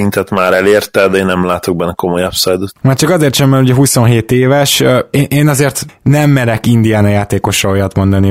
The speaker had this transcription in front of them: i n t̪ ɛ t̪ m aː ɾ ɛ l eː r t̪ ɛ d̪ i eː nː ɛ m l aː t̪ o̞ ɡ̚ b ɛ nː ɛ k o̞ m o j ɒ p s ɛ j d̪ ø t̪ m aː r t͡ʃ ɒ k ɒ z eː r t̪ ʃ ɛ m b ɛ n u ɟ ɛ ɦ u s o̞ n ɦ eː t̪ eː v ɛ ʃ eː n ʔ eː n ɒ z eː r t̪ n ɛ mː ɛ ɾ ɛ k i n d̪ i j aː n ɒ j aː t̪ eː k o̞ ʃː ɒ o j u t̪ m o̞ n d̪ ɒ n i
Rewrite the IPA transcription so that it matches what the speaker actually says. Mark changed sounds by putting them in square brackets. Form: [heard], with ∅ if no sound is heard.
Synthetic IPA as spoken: i n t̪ ɛ t̪ m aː ɾ ɛ l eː r t̪ ɛ d̪ [ɛ] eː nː ɛ m l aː t̪ o̞ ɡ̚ b ɛ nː ɛ k o̞ m o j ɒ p s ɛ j d̪ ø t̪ m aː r t͡ʃ ɒ k ɒ z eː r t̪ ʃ ɛ m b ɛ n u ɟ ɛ ɦ u s o̞ n ɦ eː t̪ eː v ɛ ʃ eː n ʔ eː n ɒ z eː r t̪ n ɛ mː ɛ ɾ ɛ k i n d̪ i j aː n ɒ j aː t̪ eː k o̞ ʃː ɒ o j [ɒ] t̪ m o̞ n d̪ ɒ n i